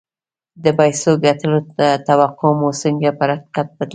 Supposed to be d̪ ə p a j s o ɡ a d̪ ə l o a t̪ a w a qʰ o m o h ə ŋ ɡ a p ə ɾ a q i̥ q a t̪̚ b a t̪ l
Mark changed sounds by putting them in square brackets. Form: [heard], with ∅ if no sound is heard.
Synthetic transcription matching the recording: d̪ ə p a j s o ɡ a [t̪] ə l o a t̪ a w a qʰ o m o [s] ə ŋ ɡ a p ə ɾ a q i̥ q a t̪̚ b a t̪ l